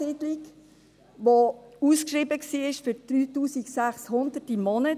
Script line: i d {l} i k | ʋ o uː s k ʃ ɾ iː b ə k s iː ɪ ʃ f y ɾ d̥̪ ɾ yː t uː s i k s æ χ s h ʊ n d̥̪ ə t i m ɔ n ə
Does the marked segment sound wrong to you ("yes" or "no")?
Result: no